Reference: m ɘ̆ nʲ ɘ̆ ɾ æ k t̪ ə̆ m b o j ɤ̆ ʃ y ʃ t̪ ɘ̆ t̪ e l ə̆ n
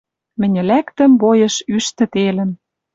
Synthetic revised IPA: m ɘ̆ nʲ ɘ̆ l æ k t̪ ə̆ m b o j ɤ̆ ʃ y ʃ t̪ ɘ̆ t̪ e l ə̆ n